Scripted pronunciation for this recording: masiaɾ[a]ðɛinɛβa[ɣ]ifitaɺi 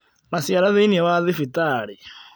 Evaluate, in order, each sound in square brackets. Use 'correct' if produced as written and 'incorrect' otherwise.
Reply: correct, incorrect

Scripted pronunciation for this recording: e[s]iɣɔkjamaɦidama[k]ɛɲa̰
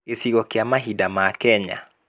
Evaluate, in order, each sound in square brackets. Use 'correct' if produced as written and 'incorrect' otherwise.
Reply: correct, correct

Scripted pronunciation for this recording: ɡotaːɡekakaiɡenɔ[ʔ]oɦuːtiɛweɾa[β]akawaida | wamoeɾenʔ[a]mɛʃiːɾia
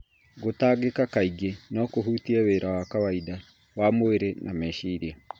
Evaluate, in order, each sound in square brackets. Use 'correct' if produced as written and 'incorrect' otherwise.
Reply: incorrect, incorrect, correct

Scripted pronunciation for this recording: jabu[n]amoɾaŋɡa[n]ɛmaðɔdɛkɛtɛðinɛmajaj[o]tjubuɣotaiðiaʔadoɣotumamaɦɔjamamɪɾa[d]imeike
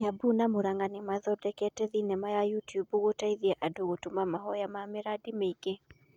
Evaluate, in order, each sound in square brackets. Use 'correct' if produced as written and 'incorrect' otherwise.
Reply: correct, correct, incorrect, correct

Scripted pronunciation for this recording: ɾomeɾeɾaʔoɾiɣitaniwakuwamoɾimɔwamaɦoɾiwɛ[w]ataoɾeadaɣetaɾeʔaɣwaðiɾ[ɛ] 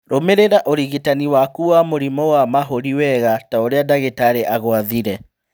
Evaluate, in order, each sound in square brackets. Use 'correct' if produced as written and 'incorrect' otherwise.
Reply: incorrect, correct

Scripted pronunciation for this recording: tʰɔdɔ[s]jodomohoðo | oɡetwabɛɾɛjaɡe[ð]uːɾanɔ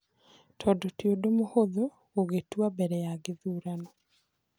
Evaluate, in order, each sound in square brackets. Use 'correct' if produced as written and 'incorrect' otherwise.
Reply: incorrect, correct

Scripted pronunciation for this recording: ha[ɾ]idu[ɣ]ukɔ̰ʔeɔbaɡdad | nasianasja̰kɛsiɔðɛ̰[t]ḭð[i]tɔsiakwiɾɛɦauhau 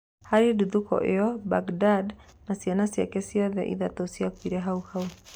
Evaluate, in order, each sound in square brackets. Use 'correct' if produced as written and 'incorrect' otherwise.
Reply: correct, incorrect, incorrect, incorrect

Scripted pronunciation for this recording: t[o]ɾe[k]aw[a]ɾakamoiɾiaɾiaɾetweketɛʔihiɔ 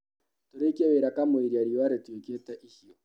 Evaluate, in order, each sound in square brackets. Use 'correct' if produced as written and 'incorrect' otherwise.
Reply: correct, correct, incorrect

